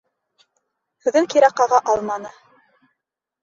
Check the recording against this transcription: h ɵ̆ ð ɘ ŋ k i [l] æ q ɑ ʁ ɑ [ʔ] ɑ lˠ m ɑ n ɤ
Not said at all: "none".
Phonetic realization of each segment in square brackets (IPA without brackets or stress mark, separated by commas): ɾ, ʔ